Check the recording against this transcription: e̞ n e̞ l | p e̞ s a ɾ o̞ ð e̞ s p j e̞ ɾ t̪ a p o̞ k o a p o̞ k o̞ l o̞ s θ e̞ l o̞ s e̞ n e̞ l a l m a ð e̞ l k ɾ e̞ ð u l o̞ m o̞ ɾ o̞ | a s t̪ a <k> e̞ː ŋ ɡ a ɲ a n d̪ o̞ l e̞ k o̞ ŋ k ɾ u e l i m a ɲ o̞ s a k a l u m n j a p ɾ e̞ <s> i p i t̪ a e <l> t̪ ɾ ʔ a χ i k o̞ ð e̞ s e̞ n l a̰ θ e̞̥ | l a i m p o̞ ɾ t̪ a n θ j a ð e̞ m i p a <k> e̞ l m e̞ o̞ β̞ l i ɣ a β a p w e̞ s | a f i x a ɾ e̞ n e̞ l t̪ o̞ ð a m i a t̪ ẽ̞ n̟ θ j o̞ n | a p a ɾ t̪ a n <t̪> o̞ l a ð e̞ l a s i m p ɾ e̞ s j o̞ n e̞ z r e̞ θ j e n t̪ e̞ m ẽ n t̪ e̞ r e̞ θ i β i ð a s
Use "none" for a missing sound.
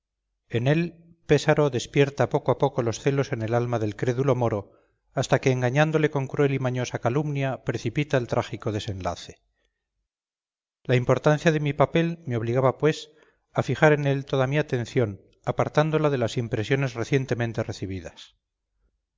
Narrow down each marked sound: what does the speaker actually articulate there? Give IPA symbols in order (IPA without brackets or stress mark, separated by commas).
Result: k, θ, l, p, d̪